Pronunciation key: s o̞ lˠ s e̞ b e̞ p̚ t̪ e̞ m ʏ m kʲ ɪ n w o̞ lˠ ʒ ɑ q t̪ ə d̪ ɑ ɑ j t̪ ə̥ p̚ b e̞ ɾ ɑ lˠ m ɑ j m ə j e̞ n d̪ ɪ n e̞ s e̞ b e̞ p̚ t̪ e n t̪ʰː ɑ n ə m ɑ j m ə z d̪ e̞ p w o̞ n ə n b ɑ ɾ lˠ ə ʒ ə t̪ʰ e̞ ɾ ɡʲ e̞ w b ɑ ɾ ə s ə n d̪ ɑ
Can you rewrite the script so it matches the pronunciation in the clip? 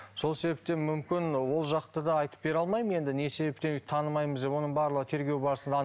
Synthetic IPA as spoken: s o̞ lˠ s e̞ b e̞ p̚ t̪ e̞ m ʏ m kʲ ɪ n w o̞ lˠ ʒ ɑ q t̪ ə d̪ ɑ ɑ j t̪ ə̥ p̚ b e̞ ɾ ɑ lˠ m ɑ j m ə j e̞ n d̪ ɪ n e̞ s e̞ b e̞ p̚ t̪ e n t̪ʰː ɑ n ə m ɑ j m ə z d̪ e̞ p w o̞ n ə ɴ b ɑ ɾ lˠ ə ʁ ə t̪ʰ e̞ ɾ ɡʲ e̞ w b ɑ ɾ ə s ə n d̪ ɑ